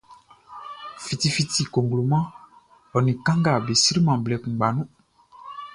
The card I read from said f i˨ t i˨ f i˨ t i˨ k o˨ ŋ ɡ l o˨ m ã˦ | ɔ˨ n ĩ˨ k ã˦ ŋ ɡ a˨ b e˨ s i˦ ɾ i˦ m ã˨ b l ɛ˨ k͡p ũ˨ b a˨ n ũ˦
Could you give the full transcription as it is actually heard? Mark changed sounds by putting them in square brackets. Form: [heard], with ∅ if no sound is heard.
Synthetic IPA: f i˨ t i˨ f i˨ t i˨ k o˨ ŋ ɡ l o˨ m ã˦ | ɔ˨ n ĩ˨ k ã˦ ŋ ɡ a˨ b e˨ s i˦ ɾ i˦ m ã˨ b l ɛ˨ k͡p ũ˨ [ɡ͡b] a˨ n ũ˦